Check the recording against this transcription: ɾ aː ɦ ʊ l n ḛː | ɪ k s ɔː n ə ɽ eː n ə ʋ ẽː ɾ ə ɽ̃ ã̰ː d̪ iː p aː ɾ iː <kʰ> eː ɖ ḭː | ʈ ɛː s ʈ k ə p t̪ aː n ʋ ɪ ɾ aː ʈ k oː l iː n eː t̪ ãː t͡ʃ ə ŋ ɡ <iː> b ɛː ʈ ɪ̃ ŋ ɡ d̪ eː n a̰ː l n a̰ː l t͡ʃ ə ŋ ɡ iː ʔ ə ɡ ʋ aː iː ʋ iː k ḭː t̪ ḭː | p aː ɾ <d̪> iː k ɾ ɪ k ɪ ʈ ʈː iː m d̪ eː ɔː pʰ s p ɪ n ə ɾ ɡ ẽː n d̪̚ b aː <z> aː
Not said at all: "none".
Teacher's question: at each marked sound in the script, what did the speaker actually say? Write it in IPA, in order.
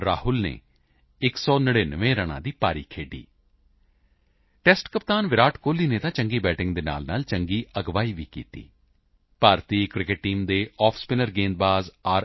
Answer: kʰ, iː, t̪, z

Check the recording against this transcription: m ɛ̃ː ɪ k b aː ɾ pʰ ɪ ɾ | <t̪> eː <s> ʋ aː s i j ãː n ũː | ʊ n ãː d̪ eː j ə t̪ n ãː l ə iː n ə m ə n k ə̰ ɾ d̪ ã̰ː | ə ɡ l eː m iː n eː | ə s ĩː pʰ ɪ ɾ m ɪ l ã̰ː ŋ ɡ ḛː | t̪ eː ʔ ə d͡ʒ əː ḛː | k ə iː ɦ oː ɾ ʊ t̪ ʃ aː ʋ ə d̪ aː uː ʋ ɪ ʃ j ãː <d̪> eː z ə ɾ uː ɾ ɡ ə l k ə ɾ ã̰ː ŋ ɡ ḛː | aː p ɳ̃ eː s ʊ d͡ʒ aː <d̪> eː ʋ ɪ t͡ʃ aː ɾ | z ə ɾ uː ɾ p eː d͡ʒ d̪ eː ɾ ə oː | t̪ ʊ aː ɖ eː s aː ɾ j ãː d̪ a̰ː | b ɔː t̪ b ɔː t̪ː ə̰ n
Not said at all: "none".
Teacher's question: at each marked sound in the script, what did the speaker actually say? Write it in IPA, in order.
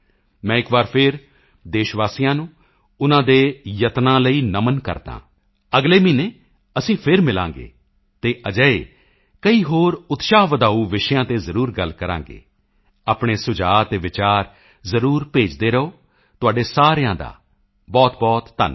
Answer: d̪, ʃ, t̪, t̪

